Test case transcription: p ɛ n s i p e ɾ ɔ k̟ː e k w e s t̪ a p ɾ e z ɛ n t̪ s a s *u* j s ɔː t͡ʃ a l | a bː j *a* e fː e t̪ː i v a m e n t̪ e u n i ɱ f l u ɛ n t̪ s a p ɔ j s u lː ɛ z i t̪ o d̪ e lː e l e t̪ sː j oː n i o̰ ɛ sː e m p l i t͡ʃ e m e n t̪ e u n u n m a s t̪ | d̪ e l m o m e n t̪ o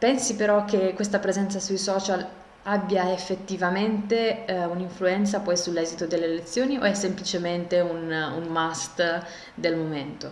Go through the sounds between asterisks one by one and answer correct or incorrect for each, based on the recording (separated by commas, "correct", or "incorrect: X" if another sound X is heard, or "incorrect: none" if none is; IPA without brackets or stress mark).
correct, correct